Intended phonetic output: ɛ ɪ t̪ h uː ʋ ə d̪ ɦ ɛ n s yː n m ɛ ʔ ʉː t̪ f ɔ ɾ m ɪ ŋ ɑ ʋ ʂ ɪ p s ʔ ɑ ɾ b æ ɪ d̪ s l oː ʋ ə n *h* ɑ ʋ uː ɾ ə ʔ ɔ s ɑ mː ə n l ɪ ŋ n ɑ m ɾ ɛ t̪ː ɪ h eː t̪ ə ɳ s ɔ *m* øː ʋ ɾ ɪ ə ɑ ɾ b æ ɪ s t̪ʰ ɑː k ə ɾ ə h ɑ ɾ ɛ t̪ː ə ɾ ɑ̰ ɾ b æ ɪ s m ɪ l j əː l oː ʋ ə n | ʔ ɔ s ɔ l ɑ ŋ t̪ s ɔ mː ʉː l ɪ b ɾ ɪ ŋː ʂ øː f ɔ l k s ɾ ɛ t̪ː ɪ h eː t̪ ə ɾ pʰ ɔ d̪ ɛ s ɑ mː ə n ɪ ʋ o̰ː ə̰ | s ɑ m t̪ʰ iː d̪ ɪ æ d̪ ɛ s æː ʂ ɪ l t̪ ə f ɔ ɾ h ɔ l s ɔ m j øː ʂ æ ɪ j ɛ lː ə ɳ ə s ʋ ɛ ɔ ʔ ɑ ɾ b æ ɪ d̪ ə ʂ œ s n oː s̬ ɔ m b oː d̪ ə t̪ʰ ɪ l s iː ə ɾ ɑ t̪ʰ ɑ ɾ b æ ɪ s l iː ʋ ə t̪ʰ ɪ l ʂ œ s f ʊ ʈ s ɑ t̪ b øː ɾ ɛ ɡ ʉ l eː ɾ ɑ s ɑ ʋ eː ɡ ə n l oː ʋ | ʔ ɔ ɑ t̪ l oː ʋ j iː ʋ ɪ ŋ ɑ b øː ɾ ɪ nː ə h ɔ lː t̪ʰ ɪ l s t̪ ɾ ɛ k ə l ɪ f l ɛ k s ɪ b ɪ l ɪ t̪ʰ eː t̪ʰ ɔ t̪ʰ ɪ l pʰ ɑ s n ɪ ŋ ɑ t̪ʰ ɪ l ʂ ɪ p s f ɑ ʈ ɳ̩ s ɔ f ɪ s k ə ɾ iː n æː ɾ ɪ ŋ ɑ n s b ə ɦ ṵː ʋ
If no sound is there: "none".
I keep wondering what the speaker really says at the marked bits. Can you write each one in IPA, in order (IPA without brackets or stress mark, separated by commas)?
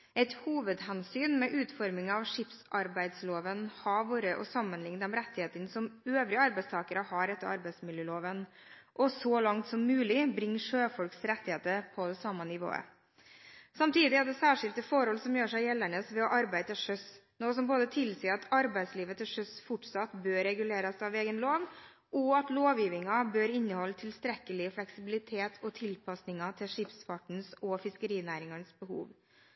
h, m